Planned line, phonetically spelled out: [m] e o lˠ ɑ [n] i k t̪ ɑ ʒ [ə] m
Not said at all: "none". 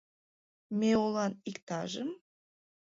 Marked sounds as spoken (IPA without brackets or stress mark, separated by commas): m, n, ə